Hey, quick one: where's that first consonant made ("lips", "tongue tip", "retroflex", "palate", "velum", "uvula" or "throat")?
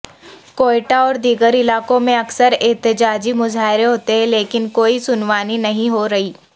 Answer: velum